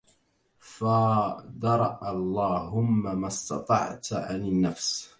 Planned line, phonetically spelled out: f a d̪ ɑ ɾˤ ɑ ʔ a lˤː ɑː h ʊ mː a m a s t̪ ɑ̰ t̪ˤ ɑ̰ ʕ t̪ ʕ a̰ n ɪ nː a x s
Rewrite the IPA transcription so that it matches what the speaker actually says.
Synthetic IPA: f a d̪ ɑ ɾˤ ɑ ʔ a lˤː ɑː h ʊ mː a m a s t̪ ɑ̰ t̪ˤ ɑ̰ ʕ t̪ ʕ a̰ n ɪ nː a f s